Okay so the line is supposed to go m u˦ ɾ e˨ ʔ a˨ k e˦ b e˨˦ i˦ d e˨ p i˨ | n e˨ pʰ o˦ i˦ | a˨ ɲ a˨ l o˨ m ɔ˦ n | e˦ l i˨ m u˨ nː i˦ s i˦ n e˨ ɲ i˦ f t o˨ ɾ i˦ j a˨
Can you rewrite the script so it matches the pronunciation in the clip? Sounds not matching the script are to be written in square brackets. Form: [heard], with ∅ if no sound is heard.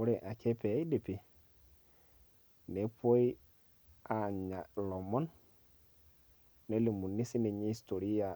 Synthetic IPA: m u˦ ɾ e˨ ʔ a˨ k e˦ [p] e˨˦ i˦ d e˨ p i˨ | n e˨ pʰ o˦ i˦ | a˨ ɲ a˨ l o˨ m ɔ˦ n | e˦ l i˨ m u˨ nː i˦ s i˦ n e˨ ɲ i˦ [s] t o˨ ɾ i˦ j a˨

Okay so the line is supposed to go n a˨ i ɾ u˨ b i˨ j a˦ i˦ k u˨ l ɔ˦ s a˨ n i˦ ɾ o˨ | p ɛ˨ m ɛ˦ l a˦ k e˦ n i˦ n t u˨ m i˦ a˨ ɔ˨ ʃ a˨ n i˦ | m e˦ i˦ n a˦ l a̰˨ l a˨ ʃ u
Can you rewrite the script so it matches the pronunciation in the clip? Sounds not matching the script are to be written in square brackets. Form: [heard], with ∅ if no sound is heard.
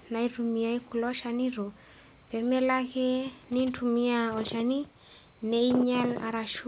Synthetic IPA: n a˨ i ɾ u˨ [m] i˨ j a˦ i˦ k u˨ l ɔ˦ [ʃ] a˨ n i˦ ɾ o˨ | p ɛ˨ m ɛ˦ l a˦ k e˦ n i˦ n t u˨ m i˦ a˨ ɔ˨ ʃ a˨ n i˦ | [n] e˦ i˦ [ɲ] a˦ l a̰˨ [ɾ] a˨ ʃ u

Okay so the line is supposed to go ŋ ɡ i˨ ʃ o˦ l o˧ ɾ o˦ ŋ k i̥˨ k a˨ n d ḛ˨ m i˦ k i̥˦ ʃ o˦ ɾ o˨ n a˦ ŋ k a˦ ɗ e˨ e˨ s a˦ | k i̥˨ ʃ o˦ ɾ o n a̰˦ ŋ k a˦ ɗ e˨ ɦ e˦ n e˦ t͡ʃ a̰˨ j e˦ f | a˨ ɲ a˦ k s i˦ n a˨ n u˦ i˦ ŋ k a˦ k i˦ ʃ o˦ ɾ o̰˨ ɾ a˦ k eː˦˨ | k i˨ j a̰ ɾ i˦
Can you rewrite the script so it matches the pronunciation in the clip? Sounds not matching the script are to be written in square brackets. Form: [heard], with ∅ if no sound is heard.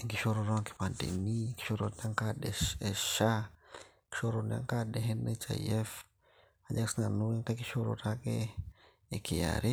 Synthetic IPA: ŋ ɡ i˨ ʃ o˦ [ɾ] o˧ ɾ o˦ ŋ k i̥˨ [p] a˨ n d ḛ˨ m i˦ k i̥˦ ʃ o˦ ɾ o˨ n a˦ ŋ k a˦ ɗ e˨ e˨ [ʃ] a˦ | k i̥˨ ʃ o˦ ɾ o n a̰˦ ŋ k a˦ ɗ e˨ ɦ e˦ n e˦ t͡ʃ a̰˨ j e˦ f | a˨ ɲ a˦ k s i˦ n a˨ n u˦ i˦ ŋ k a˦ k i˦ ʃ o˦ ɾ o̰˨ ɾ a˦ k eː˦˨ | k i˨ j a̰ ɾ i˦

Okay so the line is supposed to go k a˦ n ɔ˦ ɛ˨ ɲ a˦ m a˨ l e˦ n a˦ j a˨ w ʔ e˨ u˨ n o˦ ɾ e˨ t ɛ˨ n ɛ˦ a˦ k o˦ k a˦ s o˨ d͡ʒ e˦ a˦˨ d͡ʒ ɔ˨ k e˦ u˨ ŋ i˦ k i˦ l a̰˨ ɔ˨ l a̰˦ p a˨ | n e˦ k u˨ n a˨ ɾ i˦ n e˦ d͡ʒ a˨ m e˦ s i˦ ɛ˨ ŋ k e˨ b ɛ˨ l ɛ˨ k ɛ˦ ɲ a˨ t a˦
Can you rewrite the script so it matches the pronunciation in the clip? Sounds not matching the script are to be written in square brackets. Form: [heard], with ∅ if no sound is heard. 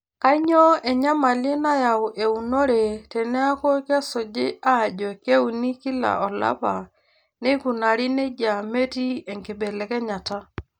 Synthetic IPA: k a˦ [ɲ] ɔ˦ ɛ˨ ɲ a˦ m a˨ l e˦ n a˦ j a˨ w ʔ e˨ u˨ n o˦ ɾ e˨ t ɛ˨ n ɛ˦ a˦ k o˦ k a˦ s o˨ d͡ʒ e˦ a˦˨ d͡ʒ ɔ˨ k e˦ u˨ [n] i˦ k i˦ l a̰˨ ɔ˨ l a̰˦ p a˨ | n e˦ k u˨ n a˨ ɾ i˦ n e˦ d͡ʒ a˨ m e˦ [t] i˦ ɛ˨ ŋ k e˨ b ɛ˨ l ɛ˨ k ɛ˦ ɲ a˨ t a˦

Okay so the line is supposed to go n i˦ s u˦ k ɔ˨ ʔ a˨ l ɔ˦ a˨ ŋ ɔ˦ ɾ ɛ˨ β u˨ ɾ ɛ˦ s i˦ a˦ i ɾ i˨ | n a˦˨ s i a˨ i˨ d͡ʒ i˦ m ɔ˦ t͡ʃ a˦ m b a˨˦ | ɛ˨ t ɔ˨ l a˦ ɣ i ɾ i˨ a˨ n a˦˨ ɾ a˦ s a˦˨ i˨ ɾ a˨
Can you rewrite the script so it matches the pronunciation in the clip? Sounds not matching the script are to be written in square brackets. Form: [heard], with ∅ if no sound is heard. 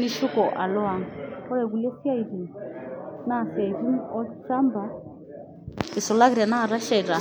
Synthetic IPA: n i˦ [ʃ] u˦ k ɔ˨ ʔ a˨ l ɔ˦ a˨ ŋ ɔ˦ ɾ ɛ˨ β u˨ [l] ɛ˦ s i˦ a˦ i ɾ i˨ | n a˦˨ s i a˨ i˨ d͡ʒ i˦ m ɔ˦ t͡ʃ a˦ m b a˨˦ | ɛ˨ [s] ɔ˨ l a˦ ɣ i ɾ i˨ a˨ n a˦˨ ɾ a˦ [ʃ] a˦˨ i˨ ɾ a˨

